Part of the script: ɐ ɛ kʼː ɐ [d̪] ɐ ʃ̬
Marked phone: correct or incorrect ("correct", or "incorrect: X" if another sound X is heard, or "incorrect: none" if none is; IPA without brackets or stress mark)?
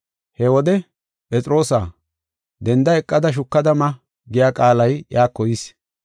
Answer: correct